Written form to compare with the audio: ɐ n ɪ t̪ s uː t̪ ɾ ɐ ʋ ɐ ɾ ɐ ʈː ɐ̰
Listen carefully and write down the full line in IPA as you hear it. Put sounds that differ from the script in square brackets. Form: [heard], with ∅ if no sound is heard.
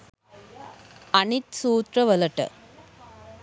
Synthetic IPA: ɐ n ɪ t̪ s uː t̪ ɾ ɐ ʋ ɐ [l] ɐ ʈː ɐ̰